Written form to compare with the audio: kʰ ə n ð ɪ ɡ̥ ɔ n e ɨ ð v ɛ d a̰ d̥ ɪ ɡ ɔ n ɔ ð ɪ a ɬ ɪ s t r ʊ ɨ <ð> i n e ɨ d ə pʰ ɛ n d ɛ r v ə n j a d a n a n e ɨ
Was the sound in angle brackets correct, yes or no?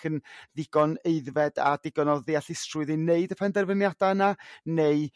yes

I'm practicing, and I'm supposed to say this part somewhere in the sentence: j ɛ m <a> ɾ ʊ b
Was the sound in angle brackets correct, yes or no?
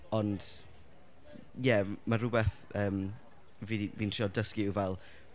yes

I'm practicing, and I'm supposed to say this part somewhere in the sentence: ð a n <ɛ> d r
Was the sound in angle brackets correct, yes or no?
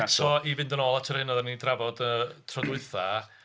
no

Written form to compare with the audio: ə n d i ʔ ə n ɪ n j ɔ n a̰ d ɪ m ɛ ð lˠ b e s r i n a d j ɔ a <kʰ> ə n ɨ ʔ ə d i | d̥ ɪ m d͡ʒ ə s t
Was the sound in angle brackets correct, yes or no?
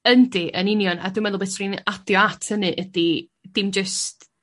no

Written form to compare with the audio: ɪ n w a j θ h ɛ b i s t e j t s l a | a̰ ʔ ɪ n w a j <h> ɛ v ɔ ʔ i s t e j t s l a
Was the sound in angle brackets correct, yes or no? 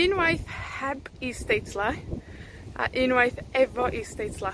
no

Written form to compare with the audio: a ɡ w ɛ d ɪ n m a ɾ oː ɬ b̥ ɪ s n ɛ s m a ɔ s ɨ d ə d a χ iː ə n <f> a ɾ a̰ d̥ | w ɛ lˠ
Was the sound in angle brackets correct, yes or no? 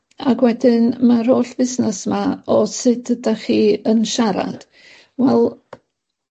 no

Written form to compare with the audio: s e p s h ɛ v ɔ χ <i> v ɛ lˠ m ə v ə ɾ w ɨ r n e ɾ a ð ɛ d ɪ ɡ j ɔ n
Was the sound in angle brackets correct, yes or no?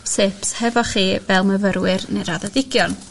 no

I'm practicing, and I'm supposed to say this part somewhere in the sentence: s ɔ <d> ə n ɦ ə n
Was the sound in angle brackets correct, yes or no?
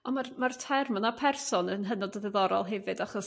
no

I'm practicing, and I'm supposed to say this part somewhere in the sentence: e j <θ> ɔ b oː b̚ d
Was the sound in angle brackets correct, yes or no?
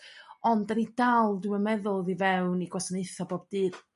yes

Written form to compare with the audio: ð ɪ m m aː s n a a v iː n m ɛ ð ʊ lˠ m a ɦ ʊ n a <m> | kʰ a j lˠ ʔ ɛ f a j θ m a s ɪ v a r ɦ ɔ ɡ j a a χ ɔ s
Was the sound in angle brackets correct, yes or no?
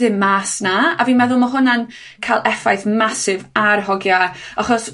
no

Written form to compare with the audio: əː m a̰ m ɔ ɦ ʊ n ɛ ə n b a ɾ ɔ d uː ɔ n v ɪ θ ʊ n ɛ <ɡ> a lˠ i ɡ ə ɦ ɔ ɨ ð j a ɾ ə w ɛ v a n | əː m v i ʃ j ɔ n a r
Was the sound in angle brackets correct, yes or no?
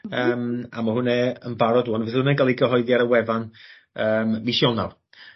yes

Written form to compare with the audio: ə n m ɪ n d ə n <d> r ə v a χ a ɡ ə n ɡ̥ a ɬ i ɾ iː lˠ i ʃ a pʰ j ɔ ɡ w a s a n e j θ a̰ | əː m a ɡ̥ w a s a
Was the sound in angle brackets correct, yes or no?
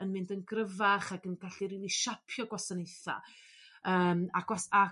no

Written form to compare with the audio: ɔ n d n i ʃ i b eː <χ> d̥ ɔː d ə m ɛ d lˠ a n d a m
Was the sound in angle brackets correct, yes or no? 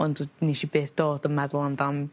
no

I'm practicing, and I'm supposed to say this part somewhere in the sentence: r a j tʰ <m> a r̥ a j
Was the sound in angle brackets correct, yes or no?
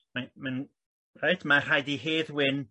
yes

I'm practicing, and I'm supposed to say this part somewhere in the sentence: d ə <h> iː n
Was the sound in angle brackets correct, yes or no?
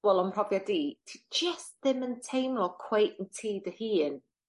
yes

